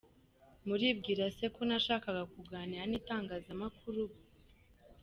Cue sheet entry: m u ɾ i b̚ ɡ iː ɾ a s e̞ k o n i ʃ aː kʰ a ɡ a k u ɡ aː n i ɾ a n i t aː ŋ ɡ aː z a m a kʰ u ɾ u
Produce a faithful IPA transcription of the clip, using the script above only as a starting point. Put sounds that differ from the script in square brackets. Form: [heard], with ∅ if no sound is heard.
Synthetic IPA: m u ɾ i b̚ ɡ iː ɾ a s e̞ k o n [a] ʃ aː [k] a ɡ a k u ɡ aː n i ɾ a n i t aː ŋ ɡ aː z a m a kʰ u ɾ u